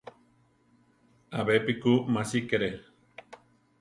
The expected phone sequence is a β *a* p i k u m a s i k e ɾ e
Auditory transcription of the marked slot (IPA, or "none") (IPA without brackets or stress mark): e